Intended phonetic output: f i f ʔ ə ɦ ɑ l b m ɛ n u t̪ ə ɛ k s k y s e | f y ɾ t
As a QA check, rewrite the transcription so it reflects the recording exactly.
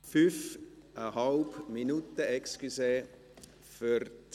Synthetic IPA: f y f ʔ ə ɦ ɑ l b m i n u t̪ ə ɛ k s k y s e | f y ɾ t